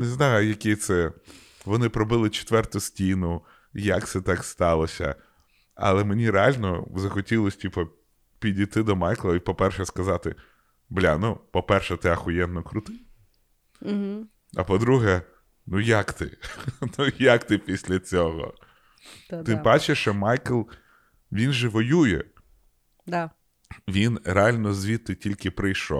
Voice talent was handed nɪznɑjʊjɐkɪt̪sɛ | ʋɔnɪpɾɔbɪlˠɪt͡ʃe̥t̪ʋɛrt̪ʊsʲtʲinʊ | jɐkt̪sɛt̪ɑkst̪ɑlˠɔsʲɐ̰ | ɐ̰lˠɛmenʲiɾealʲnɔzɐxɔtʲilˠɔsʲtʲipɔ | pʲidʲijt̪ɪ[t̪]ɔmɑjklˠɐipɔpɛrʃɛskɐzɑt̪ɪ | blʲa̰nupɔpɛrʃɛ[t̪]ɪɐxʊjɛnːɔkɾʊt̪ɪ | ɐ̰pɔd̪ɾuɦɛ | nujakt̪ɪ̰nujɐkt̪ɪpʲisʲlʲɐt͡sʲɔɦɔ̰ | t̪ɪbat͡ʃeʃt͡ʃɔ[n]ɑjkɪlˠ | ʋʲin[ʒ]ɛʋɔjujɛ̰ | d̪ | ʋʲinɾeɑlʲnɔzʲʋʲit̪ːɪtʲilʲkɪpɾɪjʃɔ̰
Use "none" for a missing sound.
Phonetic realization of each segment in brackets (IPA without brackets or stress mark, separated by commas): d̪, t̪, m, ʒ